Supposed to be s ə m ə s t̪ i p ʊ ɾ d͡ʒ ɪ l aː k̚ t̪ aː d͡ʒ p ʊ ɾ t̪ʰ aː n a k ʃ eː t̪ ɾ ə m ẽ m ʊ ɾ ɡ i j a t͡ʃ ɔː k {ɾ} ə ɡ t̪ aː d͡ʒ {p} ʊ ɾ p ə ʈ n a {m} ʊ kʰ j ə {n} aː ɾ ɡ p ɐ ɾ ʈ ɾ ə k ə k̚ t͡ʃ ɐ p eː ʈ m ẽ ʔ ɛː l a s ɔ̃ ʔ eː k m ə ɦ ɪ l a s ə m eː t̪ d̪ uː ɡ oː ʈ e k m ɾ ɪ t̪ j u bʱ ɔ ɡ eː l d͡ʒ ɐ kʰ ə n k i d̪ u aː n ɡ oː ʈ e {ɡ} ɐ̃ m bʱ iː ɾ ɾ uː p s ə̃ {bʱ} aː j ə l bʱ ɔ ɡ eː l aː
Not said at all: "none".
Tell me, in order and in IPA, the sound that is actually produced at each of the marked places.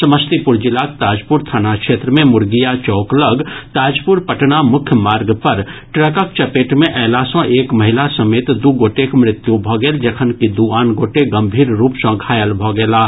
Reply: l, p, m, m, ɡ, ɡʱ

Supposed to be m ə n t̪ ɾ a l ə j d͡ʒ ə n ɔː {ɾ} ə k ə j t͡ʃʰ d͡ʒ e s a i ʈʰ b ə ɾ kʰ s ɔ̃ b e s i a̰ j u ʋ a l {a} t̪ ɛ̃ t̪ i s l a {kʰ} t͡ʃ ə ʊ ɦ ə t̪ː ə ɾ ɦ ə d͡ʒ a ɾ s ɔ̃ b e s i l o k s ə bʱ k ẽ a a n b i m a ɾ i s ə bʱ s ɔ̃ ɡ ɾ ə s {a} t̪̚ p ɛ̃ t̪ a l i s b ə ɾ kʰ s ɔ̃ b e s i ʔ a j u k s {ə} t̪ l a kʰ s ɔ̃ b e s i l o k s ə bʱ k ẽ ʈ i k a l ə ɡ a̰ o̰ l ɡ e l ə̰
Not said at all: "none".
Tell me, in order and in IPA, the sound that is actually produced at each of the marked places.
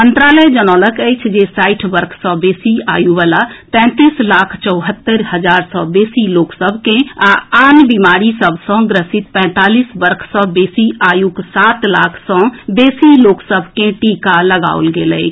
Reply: l, a, kʰ, i, a

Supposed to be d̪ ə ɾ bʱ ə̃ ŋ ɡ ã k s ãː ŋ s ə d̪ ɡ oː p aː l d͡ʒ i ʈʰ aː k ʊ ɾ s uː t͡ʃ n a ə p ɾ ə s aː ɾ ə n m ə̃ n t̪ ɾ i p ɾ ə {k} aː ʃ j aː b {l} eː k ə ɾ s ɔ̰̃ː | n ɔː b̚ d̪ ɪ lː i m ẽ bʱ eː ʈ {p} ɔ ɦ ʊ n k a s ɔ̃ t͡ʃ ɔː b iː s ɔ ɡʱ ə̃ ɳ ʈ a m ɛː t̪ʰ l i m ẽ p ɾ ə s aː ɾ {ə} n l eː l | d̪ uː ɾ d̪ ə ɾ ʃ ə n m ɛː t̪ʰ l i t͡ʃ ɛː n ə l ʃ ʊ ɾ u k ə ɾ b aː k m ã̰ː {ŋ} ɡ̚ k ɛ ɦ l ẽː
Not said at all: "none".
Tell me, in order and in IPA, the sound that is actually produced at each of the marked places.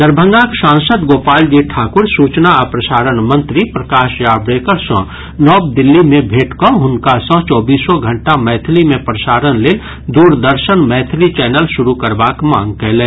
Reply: k, ɾ, k, ə, ŋ

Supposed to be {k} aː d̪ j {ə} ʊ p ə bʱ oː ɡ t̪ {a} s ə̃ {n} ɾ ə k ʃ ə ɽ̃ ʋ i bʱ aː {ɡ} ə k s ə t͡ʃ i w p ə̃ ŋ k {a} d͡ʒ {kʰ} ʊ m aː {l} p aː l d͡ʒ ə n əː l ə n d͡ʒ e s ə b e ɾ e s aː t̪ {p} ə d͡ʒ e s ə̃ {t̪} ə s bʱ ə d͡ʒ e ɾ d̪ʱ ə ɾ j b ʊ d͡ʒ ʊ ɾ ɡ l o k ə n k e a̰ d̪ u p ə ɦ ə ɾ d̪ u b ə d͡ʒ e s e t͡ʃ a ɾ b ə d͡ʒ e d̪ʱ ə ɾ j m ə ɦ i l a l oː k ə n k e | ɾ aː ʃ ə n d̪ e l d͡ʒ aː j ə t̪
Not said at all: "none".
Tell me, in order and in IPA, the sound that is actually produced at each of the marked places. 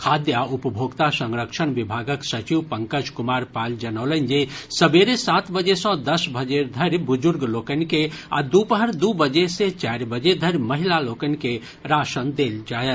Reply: kʰ, a, a, ŋ, ɡ, ə, k, ɾ, b, d̪

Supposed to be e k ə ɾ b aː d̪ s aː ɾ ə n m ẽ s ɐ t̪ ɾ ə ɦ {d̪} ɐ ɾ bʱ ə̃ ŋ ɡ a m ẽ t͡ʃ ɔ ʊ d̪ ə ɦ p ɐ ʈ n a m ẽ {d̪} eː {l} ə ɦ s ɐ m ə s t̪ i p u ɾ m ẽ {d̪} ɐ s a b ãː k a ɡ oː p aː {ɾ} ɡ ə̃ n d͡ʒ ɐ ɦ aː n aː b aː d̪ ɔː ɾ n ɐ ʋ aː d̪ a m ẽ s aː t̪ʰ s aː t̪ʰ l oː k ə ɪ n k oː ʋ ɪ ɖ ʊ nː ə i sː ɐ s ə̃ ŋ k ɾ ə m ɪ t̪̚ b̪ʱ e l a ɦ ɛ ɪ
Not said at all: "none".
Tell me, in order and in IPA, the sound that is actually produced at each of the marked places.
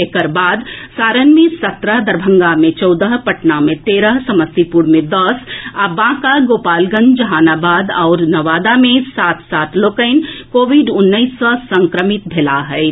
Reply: d̪, t̪, ɾ, d̪, l

